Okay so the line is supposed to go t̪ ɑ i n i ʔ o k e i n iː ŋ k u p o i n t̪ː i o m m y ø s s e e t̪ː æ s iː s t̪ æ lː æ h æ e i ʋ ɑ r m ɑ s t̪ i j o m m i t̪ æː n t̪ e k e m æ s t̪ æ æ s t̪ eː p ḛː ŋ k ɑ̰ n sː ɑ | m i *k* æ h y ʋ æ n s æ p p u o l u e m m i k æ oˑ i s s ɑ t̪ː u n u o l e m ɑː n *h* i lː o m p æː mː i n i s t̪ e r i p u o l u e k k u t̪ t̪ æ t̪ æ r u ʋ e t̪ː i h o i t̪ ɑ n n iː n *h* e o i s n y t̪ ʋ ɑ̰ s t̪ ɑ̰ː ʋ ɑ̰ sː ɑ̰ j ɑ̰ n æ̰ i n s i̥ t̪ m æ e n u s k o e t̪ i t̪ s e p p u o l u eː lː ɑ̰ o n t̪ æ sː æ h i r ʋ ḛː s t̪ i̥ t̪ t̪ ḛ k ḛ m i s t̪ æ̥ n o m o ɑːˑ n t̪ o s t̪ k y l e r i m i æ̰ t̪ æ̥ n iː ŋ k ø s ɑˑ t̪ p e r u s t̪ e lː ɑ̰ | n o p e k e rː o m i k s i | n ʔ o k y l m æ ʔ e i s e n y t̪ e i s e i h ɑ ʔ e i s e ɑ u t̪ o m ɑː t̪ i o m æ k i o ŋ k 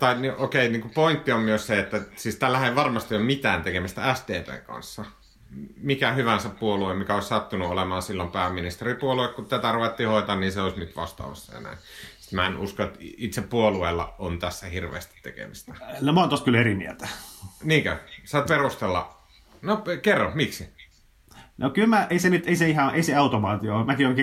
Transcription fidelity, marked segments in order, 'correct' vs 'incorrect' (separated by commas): correct, incorrect, incorrect